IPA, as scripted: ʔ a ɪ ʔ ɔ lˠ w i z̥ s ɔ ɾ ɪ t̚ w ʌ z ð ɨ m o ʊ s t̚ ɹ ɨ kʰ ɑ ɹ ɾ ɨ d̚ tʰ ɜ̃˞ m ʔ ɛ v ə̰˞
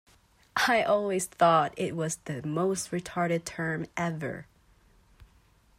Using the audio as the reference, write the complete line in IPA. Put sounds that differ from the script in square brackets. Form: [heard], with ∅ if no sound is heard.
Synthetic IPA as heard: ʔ a ɪ ʔ ɔ lˠ w i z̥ [θ] ɔ ɾ ɪ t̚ w ʌ z ð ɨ m o ʊ s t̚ ɹ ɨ [tʰ] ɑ ɹ ɾ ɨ d̚ tʰ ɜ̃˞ m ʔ ɛ v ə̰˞